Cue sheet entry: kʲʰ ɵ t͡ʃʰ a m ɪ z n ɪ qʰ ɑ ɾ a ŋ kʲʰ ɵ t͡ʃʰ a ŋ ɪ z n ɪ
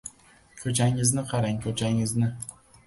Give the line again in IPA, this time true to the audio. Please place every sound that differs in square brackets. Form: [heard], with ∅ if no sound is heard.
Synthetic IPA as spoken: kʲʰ ɵ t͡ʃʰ a [ŋ] ɪ z n ɪ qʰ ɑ ɾ a ŋ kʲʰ ɵ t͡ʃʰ a ŋ ɪ z n ɪ